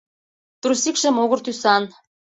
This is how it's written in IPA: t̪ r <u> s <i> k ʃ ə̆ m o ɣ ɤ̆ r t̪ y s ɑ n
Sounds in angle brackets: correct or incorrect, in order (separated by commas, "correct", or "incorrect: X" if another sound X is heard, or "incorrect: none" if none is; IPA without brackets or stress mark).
correct, correct